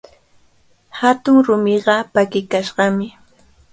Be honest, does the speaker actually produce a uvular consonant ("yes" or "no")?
yes